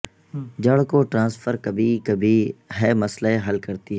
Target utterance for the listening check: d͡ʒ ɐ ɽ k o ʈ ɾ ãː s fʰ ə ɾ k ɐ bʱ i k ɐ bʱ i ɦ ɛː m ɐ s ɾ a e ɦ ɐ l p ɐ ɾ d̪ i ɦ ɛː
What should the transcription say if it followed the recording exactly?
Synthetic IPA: d͡ʒ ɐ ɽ k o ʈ ɾ ãː s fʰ ə ɾ k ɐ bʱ i k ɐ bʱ i ɦ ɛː m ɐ s l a e ɦ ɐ l k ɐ ɾ t̪ i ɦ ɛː